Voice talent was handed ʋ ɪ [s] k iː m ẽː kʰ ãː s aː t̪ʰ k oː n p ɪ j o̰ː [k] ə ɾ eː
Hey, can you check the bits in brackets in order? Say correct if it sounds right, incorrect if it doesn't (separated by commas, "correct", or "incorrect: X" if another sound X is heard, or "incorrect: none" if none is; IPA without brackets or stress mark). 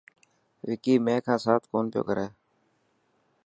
incorrect: none, correct